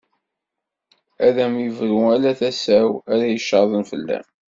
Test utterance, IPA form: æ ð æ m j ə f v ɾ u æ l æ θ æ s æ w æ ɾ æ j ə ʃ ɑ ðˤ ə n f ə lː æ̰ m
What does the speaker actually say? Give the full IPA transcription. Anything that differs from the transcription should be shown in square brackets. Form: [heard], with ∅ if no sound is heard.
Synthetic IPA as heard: æ ð æ m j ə [∅] v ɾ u æ l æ θ æ s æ w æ ɾ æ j ə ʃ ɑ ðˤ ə n f ə lː æ̰ m